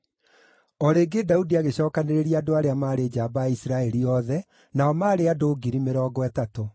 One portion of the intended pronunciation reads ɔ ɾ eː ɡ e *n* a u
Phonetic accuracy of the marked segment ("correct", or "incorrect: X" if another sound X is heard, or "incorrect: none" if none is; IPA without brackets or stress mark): incorrect: d